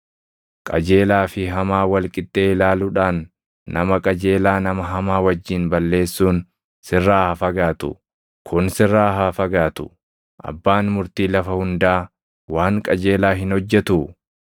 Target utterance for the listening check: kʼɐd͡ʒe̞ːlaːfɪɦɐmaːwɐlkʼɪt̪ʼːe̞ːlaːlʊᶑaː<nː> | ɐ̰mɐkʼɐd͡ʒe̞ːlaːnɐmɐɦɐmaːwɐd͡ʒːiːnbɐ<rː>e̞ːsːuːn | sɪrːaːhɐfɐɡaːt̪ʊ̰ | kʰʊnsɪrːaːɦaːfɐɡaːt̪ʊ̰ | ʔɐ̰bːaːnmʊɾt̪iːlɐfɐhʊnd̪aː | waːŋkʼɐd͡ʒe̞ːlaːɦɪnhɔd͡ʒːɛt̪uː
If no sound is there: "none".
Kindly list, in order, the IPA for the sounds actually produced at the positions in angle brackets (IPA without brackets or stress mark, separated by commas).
nː, lː